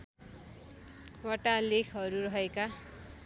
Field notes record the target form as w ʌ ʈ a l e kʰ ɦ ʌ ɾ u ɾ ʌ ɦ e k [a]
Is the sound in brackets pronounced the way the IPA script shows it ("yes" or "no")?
yes